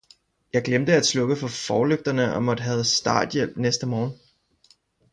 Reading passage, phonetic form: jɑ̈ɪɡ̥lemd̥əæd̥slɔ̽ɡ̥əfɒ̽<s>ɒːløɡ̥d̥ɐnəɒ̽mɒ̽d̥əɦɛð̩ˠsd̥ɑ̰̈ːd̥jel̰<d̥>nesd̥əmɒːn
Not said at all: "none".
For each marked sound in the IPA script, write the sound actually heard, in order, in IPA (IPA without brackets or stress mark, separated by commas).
f, b̥